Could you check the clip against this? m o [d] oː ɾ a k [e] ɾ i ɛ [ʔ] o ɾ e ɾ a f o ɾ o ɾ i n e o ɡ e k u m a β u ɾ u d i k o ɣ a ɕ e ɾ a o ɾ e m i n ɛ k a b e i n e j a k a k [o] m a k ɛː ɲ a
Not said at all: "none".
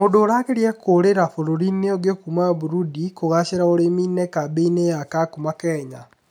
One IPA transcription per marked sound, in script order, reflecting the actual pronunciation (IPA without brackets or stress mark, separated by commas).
d, e, k, u